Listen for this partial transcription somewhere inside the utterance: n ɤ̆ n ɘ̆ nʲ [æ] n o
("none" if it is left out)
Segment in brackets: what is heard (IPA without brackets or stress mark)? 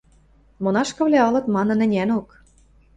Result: æ